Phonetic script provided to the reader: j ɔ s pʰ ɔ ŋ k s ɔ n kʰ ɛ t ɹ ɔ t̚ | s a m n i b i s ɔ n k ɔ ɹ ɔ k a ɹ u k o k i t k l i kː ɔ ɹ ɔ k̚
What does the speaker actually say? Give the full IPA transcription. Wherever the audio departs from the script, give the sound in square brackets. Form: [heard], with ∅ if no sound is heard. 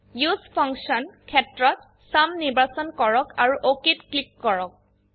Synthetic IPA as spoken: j [u] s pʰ ɔ ŋ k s ɔ n kʰ ɛ t ɹ ɔ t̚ | s a m n i b [a] s ɔ n k ɔ ɹ ɔ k a ɹ u [ʔ] o k i t k l i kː ɔ ɹ ɔ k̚